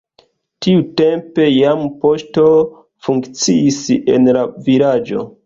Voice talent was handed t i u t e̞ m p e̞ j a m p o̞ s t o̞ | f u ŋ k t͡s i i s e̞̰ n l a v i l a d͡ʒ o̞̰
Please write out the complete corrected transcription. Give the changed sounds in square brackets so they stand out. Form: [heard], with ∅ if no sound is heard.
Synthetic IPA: t i u t e̞ m p e̞ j a m p o̞ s t o̞ | f u ŋ k t͡s i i s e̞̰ n l a v i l a d͡ʒ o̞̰